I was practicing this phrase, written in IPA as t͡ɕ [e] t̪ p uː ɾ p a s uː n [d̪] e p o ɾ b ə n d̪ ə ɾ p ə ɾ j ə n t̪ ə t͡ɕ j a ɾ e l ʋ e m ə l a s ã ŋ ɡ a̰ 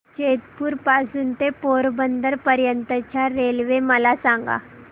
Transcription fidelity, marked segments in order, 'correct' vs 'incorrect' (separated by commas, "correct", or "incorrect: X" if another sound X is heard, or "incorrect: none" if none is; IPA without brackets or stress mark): correct, incorrect: t̪